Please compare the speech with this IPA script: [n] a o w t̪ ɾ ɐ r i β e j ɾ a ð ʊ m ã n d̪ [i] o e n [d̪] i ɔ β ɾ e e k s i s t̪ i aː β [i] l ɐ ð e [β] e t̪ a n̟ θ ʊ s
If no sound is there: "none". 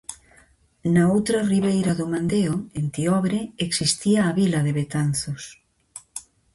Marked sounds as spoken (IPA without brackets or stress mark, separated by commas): n, e, t̪, i, β